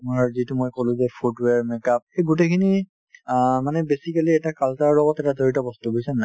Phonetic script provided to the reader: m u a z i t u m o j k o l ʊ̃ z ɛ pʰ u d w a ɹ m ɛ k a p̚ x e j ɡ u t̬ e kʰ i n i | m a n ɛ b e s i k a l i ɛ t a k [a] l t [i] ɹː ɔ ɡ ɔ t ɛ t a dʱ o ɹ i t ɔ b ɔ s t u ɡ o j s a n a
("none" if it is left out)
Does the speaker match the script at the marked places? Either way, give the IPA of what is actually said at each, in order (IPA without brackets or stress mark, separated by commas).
a, a